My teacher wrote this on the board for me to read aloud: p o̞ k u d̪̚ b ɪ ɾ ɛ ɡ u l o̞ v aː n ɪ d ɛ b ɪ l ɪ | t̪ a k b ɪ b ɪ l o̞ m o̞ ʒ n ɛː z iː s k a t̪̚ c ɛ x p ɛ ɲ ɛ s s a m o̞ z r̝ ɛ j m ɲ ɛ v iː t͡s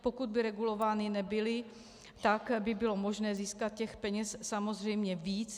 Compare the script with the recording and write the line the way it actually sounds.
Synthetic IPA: p o̞ k u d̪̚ b ɪ ɾ ɛ ɡ u l o̞ v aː n ɪ n ɛ b ɪ l ɪ | t̪ a k b ɪ b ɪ l o̞ m o̞ ʒ n ɛː z iː s k a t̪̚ c ɛ x p ɛ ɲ ɛ s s a m o̞ z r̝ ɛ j m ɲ ɛ v iː t͡s